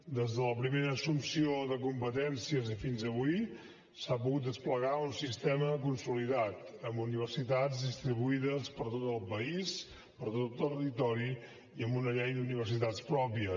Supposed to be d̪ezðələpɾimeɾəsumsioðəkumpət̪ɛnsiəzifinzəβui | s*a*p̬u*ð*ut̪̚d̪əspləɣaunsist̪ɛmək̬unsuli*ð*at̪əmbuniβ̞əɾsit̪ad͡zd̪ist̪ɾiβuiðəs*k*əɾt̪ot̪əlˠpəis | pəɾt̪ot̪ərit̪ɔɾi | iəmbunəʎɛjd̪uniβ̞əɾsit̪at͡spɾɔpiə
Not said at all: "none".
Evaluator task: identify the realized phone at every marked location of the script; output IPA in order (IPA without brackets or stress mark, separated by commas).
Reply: a, ɣ, ð, p